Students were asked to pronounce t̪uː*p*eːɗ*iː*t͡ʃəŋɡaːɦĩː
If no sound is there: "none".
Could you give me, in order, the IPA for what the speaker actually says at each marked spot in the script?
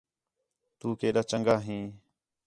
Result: k, aː

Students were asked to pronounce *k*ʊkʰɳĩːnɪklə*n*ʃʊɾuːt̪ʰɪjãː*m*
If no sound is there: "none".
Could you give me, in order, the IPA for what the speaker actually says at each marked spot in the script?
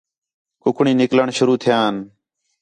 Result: k, ɳ, n

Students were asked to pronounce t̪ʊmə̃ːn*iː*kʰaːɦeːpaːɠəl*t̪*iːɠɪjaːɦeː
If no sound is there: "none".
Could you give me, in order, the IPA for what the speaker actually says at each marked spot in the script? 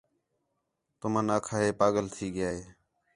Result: aː, t̪ʰ

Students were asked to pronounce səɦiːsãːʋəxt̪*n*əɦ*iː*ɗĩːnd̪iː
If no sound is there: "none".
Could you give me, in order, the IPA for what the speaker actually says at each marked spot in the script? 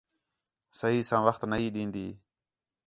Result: n, iː

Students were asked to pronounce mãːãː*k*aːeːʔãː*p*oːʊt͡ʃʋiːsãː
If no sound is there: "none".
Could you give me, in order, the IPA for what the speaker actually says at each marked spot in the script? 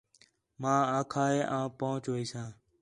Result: kʰ, p

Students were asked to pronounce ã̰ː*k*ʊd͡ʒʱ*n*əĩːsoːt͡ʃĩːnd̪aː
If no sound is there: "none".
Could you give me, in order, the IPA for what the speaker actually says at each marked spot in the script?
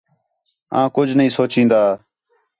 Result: k, n

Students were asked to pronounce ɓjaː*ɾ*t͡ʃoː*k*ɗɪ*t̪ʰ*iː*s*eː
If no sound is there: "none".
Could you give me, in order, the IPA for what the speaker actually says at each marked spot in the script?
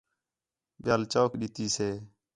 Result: l, k, t̪, s

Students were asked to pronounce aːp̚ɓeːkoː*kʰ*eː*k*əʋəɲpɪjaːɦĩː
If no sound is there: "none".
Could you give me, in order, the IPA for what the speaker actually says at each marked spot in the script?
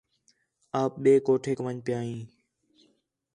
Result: ʈʰ, k

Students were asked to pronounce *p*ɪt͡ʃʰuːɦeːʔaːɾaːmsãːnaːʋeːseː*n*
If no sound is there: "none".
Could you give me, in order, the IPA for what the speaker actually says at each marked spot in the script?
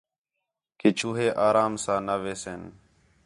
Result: k, n

